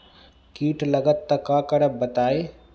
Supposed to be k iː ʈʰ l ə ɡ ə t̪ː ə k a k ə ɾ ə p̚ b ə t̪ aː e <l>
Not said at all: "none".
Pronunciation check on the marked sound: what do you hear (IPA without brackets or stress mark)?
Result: none